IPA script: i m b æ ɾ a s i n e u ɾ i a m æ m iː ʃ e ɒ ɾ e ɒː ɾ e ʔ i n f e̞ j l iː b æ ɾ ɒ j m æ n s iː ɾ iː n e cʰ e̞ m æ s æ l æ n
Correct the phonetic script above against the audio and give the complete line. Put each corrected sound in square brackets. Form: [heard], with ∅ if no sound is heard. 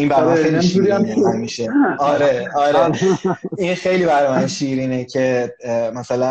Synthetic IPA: i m b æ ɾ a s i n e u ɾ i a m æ m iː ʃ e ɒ ɾ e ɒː ɾ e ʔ i n [x] e̞ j l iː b æ ɾ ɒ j m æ n [ʃ] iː ɾ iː n e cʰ e̞ m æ s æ l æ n